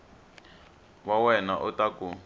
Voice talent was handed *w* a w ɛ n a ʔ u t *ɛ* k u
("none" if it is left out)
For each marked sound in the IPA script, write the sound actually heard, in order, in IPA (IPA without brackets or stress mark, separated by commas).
w, a